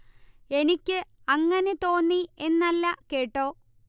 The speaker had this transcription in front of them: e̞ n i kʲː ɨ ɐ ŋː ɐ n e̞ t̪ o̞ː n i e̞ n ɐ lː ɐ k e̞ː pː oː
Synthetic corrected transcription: e̞ n i kʲː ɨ ɐ ŋː ɐ n e̞ t̪ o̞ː nː i e̞ nː ɐ lː ɐ k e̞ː ʈː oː

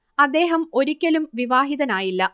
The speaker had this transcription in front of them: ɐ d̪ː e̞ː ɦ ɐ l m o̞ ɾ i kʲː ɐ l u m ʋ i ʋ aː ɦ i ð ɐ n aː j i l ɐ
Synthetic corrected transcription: ɐ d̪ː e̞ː ɦ ɐ m o̞ ɾ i kʲː ɐ l u m ʋ i ʋ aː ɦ i ð ɐ n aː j i lː ɐ

